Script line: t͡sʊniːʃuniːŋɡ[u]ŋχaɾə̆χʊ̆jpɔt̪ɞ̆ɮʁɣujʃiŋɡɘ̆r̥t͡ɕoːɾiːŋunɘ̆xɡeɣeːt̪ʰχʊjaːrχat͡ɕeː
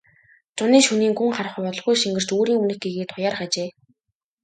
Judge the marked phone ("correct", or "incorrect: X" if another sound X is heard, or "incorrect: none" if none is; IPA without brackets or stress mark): correct